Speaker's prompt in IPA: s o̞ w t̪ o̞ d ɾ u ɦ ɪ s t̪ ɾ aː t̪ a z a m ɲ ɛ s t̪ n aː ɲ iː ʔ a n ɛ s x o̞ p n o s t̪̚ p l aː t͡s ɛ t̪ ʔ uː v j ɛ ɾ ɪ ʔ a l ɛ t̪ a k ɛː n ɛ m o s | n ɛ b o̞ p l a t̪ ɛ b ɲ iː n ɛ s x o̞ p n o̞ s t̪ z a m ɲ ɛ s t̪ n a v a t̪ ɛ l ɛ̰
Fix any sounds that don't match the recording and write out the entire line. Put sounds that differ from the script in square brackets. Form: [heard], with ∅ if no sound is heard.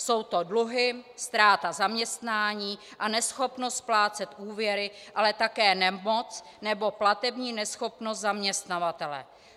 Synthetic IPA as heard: s o̞ w t̪ o̞ d [l] u ɦ ɪ s t̪ ɾ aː t̪ a z a m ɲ ɛ s t̪ n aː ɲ iː ʔ a n ɛ s x o̞ p n o s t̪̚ p l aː t͡s ɛ t̪ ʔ uː v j ɛ ɾ ɪ ʔ a l ɛ t̪ a k ɛː n ɛ m o [t͡s] | n ɛ b o̞ p l a t̪ ɛ b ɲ iː n ɛ s x o̞ p n o̞ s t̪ z a m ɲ ɛ s t̪ n a v a t̪ ɛ l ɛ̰